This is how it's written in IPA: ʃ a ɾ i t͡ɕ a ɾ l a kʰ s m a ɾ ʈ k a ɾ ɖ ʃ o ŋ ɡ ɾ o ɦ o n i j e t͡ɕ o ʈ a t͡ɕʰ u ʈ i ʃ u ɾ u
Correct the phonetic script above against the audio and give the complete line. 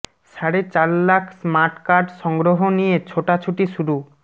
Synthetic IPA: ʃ a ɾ e t͡ɕ a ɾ l a kʰ s m a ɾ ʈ k a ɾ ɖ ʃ ɔ ŋ ɡ ɾ o ɦ o n i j e t͡ɕʰ o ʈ a t͡ɕʰ u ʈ i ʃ u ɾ u